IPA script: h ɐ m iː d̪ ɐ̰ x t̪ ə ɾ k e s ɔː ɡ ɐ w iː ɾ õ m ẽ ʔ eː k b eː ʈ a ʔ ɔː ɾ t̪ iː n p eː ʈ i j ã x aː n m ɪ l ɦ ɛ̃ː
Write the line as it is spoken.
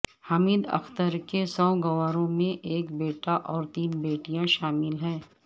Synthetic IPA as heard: h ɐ m iː d̪ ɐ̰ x t̪ ə ɾ k e s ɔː ɡ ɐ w aː ɾ õ m ẽ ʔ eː k b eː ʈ a ʔ ɔː ɾ t̪ iː n b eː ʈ i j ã ʃ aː m ɪ l ɦ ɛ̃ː

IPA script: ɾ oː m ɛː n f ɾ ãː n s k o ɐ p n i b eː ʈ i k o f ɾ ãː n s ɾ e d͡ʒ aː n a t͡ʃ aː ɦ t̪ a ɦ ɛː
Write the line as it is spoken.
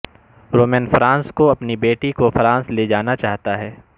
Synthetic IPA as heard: ɾ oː m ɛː n f ɾ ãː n s k o ɐ p n i b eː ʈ i k o f ɾ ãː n s l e d͡ʒ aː n a t͡ʃ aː ɦ t̪ a ɦ ɛː

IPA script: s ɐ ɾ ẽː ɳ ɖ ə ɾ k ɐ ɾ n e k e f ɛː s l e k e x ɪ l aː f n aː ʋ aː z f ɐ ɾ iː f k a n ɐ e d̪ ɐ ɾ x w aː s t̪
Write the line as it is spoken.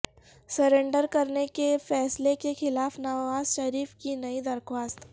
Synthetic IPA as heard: s ɐ ɾ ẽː ɳ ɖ ə ɾ k ɐ ɾ n e k e f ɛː s l e k e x ɪ l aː f n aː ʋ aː z ʃ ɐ ɾ iː f k i n ɐ i d̪ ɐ ɾ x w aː s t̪

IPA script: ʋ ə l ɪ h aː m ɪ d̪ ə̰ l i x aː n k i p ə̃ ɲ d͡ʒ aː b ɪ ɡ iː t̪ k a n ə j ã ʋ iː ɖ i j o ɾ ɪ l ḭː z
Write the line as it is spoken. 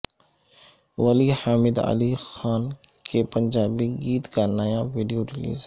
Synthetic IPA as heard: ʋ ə l i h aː m ɪ d̪ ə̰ l i x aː n k e p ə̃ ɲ d͡ʒ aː b i ɡ iː t̪ k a n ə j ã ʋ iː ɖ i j o ɾ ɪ l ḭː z

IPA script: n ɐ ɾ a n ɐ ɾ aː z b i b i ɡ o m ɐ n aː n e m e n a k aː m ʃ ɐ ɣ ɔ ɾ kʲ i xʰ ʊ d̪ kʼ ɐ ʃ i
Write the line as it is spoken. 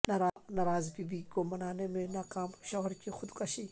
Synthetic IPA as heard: n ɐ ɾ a n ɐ ɾ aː z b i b i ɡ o m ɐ n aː n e m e n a k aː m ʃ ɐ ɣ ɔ ɾ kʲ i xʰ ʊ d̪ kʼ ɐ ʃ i

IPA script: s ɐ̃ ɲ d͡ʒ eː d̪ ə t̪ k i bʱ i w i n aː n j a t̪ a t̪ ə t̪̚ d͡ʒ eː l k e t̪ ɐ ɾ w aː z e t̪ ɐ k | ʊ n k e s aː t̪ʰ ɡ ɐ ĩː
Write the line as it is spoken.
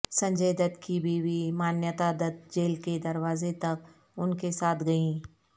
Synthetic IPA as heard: s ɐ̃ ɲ d͡ʒ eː d̪ ə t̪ k i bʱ i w i m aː n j ə t̪ a d̪ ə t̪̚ d͡ʒ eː l k e d̪ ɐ ɾ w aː z e t̪ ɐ k | ʊ n k e s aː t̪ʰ ɡ ɐ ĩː

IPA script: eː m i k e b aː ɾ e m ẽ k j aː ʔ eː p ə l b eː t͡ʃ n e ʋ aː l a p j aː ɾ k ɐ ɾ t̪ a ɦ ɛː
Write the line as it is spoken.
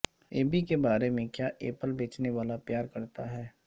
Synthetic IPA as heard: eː b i k e b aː ɾ e m ẽ k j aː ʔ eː p ə l b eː t͡ʃ n e ʋ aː l a p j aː ɾ k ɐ ɾ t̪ a ɦ ɛː

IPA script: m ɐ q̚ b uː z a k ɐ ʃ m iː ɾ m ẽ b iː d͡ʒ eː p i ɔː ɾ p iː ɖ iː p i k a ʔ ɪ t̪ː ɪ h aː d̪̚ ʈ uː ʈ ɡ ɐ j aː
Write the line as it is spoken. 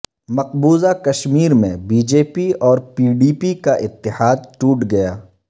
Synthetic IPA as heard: m ɐ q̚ b uː z a k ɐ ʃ m iː ɾ m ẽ b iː d͡ʒ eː p i ɔː ɾ p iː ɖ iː p i k a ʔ ɪ t̪ː ɪ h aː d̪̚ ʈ uː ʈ ɡ ɐ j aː

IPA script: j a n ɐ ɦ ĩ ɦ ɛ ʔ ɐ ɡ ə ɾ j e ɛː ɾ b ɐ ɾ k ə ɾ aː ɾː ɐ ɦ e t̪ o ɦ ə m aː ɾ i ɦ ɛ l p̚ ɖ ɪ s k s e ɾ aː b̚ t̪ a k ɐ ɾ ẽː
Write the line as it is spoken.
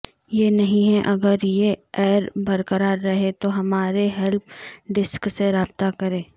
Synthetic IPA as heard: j e n ɐ ɦ ĩ ɦ ɛ ʔ ɐ ɡ ə ɾ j e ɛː ɾ b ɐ ɾ k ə ɾ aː ɾː ɐ ɦ e t̪ o ɦ ɐ m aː ɾ e ɦ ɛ l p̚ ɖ ɪ s k s e ɾ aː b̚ t̪ a k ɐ ɾ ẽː

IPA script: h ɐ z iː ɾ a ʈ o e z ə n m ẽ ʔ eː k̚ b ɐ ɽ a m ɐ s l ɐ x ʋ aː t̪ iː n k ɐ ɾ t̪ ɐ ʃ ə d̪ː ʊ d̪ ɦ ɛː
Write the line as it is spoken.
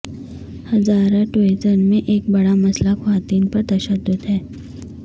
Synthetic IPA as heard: h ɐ z aː ɾ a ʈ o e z ə n m ẽ ʔ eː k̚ b ɐ ɽ a m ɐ s l a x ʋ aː t̪ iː n p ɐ ɾ t̪ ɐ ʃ ə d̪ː ʊ d̪ ɦ ɛː

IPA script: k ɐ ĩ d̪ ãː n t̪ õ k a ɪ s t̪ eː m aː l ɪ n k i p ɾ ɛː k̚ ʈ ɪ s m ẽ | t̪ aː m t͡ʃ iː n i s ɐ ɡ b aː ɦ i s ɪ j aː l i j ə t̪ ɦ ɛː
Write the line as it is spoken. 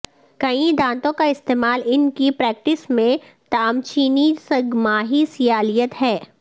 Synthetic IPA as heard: k ɐ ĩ d̪ ãː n t̪ õ k a ɪ s t̪ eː m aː l ɪ n k i p ɾ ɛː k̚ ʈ ɪ s m ẽ | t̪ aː m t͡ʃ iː n i s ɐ ɡ m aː ɦ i s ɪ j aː l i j ə t̪ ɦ ɛː

